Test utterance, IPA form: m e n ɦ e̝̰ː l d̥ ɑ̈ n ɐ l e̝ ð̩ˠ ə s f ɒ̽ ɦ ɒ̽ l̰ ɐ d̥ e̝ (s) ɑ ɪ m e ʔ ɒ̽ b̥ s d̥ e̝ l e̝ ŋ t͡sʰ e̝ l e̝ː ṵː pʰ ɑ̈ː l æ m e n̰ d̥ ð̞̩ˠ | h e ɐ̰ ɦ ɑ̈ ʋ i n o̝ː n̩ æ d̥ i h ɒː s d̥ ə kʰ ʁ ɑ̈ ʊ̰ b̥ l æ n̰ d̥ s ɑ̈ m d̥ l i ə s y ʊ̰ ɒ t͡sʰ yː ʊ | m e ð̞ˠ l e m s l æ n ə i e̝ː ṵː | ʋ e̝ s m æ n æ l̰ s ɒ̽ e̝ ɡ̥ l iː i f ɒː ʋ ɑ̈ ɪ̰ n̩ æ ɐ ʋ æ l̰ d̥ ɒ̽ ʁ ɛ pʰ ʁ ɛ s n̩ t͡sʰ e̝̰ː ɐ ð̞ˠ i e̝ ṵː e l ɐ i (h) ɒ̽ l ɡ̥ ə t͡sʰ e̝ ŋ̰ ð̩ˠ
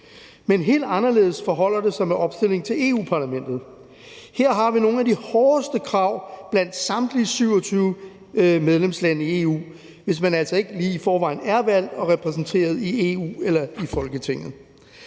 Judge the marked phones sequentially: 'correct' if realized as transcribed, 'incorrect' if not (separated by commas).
correct, incorrect